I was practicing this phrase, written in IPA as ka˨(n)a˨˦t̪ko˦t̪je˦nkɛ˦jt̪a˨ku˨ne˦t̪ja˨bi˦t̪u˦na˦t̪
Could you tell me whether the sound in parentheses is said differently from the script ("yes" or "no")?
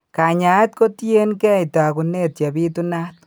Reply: yes